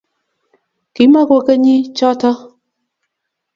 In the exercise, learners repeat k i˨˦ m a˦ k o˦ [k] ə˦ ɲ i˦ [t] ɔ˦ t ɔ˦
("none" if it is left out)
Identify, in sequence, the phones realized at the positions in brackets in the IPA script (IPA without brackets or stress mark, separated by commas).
k, t͡ʃ